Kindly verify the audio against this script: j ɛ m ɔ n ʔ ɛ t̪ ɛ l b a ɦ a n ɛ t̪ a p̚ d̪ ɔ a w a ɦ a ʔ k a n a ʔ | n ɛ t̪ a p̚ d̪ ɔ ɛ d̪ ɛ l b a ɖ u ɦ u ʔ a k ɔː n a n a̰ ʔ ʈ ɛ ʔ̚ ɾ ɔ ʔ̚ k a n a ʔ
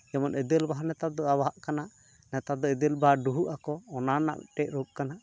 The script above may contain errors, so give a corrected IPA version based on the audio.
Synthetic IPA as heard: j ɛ m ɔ n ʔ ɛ d̪ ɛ l b a ɦ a n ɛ t̪ a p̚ d̪ ɔ a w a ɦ a ʔ k a n a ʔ | n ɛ t̪ a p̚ d̪ ɔ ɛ d̪ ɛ l b a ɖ u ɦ u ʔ a k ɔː n a n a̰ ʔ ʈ ɛ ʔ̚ ɾ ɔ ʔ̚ k a n a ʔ